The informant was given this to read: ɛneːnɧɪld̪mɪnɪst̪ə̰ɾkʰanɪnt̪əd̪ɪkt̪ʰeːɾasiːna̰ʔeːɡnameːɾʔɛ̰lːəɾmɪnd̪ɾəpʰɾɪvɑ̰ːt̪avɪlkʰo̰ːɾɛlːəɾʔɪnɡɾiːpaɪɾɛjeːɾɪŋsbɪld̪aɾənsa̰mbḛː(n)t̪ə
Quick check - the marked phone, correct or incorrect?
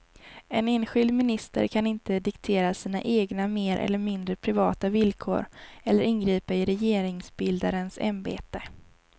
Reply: incorrect